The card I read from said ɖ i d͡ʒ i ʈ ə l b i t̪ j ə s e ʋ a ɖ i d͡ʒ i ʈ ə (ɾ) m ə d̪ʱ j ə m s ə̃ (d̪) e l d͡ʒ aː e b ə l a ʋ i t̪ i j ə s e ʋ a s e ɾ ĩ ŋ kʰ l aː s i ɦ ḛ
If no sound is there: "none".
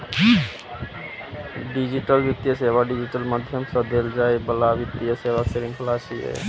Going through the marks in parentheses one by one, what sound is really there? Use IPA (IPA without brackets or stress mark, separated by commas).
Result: l, d̪